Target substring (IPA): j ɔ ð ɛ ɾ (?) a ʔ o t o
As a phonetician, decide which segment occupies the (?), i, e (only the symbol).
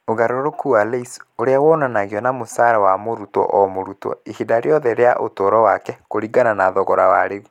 e